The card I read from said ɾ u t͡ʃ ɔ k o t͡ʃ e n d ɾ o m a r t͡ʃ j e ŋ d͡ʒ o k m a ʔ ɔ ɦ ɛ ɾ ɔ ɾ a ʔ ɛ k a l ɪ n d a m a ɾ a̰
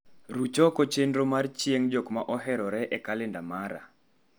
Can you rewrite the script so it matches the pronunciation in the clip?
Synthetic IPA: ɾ u t͡ʃ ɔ k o t͡ʃ e n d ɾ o m a r t͡ʃ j e ŋ d͡ʒ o k m a ʔ ɔ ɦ ɛ ɾ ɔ ɾ ɛ ʔ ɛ k a l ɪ n d a m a ɾ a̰

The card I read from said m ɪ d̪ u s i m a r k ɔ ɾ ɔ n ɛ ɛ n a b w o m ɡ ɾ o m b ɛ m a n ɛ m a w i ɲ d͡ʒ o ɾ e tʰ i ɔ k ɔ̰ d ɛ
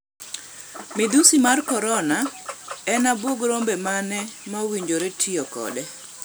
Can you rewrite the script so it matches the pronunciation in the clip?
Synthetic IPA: m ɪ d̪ u s i m a r k ɔ ɾ ɔ n a ɛ n a b w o ɡ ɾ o m b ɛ m a n ɛ m a w i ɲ d͡ʒ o ɾ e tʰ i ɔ k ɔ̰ d ɛ

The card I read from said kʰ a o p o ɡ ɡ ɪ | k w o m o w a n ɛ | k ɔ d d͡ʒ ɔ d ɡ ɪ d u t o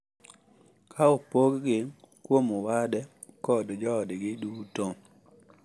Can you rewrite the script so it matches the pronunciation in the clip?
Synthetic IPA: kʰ a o p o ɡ ɡ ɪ | k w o m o w a d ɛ | k ɔ d d͡ʒ ɔ d ɡ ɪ d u t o

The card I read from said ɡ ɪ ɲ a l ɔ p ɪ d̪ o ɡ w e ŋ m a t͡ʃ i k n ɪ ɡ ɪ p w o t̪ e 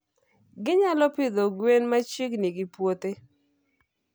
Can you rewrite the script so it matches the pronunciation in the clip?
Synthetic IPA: ɡ ɪ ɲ a l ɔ p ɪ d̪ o ɡ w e n m a t͡ʃ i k n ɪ ɡ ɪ p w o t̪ e

